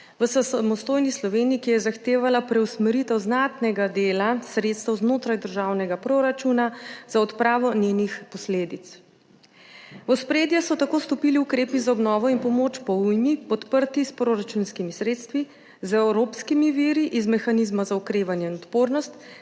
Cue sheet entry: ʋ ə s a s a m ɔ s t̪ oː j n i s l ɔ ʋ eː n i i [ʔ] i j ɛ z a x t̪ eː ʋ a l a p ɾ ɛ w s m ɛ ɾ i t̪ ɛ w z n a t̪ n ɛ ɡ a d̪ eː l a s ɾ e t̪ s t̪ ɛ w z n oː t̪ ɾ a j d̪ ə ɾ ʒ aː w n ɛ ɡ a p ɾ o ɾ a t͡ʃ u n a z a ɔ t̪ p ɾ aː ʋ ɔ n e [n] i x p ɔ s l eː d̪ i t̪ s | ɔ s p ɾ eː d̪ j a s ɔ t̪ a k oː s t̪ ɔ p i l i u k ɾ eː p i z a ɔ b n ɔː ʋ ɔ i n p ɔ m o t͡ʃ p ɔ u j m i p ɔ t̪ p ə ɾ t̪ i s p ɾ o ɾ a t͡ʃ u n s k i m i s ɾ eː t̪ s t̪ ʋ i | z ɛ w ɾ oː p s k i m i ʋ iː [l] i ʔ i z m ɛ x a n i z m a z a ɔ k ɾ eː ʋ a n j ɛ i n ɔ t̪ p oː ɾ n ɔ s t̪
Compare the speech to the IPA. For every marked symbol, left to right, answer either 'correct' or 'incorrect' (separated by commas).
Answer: incorrect, correct, incorrect